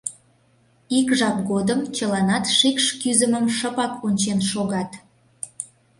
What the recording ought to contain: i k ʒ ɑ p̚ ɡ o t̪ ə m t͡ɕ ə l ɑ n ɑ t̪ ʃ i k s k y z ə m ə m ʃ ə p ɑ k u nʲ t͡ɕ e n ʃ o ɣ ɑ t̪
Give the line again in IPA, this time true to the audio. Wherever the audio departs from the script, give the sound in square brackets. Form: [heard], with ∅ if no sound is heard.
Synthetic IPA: i k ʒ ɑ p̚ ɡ o [d̪] ə m t͡ɕ ə l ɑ n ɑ t̪ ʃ i k [ʃ] k y z ə m ə m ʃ ə p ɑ k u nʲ t͡ɕ e n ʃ o ɣ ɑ t̪